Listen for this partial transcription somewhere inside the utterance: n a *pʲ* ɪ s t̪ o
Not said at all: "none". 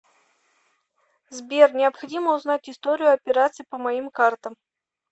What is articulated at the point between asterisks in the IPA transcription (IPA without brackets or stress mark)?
tʲ